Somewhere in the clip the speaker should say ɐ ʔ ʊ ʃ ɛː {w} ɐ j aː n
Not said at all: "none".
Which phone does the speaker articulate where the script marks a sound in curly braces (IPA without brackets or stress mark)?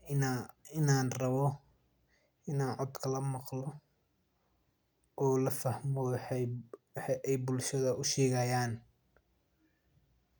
ɣ